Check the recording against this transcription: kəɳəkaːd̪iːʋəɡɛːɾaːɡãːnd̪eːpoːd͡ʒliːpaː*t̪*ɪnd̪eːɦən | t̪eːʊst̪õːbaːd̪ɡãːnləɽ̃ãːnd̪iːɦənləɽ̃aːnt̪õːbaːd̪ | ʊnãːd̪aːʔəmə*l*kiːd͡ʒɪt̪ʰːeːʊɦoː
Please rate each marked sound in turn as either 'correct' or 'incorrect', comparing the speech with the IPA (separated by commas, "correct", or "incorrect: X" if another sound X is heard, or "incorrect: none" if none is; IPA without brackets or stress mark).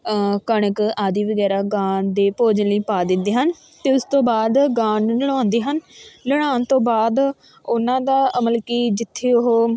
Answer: incorrect: d̪, correct